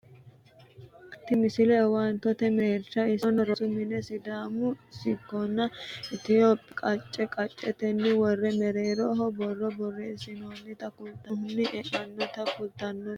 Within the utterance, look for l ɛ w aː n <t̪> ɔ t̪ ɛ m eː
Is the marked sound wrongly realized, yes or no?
no